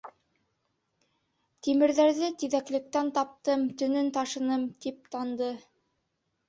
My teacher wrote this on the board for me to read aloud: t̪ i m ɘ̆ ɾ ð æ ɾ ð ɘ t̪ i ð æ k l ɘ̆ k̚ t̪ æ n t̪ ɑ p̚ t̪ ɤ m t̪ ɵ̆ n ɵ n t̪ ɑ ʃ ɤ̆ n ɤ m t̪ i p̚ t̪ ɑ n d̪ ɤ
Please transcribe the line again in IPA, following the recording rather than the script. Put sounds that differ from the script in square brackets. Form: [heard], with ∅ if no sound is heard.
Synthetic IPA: t̪ i m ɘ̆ ɾ ð æ ɾ ð ɘ t̪ i ð æ k l ɘ̆ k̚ t̪ æ n t̪ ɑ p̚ t̪ ɤ m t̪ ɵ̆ n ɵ n t̪ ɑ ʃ ɤ̆ n ɤ m t̪ i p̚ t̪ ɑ n d̪ ɤ